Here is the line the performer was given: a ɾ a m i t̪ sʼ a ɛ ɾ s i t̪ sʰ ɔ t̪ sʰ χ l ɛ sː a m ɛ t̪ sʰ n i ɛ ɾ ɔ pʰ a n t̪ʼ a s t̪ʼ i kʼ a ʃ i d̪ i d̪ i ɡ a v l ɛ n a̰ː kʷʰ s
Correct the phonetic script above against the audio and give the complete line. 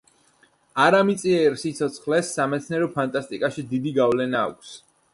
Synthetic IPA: a ɾ a m i t̪ sʼ i ɛ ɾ s i t̪ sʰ ɔ t̪ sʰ χ l ɛ sː a m ɛ t̪ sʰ n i ɛ ɾ ɔ pʰ a n t̪ʼ a s t̪ʼ i kʼ a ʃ i d̪ i d̪ i ɡ a v l ɛ n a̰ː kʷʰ s